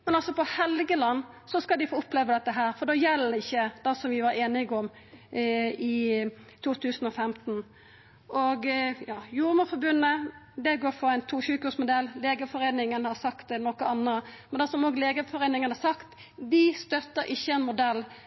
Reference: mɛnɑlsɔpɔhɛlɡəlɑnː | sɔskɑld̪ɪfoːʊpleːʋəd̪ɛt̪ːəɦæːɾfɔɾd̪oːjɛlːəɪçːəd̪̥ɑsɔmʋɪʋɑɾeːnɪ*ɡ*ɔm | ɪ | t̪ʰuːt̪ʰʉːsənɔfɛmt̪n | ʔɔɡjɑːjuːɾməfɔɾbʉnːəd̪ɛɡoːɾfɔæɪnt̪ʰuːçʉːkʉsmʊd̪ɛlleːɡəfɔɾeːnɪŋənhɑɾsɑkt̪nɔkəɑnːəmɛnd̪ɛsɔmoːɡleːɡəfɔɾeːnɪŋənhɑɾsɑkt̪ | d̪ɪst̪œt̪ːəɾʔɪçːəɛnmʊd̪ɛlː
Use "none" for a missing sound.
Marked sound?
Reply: ɡ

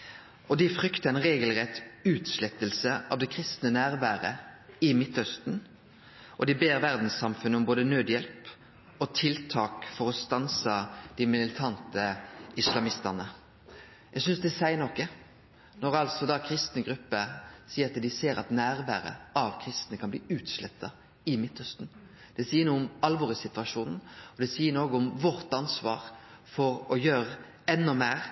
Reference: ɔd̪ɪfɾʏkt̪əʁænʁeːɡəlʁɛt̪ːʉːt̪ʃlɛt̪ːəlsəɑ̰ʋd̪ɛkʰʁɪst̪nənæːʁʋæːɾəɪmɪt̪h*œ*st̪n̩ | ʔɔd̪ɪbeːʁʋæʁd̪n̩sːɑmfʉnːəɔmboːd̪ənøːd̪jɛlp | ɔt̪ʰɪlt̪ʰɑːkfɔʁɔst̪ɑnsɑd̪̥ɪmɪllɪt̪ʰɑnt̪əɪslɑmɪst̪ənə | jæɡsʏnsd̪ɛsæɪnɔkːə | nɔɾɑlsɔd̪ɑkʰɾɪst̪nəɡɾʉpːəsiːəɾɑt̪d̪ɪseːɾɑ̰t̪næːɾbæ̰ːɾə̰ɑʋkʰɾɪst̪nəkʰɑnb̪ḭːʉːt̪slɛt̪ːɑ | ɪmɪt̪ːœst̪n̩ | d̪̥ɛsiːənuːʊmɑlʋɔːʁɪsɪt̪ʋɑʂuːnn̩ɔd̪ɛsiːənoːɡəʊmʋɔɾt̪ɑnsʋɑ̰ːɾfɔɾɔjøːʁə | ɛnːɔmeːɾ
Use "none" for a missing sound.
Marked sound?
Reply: œ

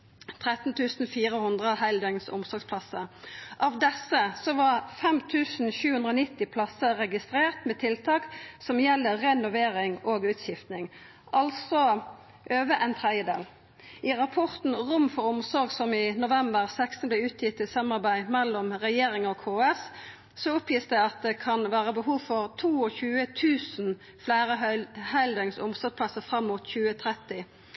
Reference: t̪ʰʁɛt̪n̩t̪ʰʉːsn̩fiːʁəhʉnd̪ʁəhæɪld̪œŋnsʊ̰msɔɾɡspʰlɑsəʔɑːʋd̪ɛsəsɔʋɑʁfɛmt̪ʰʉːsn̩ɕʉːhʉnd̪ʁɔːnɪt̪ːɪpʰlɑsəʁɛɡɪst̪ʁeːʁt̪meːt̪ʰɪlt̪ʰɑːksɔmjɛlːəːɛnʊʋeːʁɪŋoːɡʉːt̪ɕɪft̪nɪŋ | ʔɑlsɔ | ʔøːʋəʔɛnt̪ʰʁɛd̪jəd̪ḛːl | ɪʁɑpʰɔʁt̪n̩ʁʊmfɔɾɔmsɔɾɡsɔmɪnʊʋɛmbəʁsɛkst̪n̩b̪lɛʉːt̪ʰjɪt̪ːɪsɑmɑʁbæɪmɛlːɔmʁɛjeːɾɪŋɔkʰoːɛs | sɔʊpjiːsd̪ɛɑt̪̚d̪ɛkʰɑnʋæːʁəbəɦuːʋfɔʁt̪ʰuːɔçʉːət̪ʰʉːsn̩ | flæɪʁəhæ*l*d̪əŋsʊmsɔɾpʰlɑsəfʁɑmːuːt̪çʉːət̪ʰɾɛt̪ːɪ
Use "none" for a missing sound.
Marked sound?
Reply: l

